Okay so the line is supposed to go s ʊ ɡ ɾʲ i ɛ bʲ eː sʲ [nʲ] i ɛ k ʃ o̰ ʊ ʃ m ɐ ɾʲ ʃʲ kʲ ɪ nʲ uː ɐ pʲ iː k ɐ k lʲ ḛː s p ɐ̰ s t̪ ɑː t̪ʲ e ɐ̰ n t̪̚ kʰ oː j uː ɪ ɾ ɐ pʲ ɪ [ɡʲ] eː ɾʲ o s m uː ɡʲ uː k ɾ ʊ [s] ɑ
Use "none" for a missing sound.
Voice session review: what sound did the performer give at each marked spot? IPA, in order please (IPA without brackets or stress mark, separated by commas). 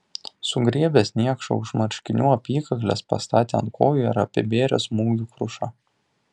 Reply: nʲ, bʲ, ʃ